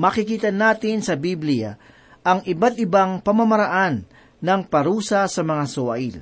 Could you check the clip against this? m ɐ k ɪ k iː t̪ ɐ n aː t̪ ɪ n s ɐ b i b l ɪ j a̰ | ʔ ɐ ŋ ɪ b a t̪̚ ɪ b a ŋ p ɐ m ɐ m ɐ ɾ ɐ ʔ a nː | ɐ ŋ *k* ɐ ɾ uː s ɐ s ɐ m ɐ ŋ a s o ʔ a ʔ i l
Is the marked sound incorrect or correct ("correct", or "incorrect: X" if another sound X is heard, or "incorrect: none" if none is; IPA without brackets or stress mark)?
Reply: incorrect: p